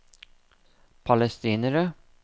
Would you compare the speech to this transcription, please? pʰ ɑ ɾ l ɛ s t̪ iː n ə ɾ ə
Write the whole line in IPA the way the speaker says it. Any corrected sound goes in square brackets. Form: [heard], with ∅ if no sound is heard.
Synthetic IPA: pʰ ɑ [∅] l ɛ s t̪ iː n ə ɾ ə